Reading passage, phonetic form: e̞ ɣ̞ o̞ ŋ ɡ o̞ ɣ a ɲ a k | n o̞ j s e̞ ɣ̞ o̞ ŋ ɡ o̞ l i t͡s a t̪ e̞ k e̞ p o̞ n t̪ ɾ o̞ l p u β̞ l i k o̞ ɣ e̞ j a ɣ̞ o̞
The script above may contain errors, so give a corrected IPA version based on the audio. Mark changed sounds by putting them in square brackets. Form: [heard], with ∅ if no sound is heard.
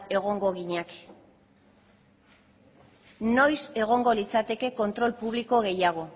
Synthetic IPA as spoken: e̞ ɣ̞ o̞ ŋ ɡ o̞ ɣ [i] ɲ a k | n o̞ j s e̞ ɣ̞ o̞ ŋ ɡ o̞ l i t͡s a t̪ e̞ k e̞ [k] o̞ n t̪ ɾ o̞ l p u β̞ l i k o̞ ɣ e̞ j a ɣ̞ o̞